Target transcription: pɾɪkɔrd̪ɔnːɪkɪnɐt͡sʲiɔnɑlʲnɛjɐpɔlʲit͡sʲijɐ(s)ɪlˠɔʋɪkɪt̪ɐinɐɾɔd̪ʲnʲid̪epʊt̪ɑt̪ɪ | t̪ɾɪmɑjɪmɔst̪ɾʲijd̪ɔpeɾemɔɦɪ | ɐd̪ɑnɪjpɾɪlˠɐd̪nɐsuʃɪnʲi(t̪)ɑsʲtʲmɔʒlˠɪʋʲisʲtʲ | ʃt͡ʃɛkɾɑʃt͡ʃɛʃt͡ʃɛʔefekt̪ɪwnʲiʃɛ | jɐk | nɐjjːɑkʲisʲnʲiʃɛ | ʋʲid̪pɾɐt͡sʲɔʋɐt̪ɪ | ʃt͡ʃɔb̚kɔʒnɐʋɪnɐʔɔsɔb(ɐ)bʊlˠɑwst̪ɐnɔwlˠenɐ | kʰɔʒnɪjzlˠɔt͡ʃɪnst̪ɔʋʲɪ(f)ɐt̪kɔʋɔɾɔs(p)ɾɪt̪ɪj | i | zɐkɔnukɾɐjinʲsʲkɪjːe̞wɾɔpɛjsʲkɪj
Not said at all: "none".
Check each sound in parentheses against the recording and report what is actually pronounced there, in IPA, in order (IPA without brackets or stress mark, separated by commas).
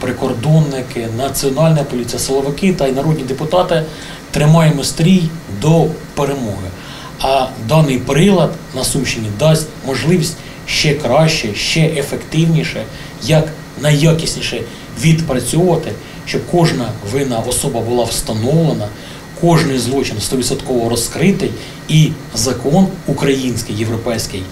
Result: s, d̪, ɐ, s, k